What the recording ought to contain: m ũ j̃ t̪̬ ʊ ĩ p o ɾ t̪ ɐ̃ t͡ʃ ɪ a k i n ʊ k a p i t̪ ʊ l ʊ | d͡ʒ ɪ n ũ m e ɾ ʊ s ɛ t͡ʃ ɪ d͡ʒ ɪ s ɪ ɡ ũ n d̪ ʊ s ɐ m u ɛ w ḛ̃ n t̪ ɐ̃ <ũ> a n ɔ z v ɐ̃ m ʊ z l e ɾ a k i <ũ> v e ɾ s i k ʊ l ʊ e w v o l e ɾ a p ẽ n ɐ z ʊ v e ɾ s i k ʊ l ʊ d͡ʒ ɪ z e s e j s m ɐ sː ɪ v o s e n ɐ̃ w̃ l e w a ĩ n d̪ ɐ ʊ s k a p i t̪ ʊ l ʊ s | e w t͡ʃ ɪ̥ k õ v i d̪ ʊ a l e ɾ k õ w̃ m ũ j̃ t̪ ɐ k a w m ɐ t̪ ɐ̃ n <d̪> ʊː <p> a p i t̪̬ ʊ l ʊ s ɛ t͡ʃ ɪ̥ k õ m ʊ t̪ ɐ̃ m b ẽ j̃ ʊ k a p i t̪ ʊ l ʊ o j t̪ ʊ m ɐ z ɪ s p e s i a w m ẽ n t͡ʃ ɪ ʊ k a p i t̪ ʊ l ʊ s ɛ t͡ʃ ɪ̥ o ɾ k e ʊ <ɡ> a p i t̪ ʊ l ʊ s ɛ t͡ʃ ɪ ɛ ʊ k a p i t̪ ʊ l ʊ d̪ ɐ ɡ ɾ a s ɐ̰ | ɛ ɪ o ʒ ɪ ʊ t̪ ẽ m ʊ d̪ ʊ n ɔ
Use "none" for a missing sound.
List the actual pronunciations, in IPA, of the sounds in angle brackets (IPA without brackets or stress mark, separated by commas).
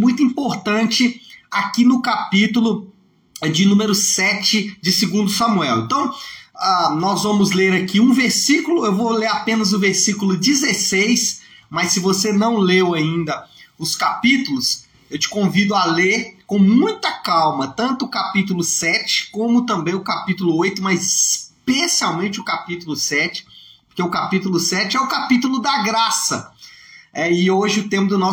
w̃, ũ, t̪, k, k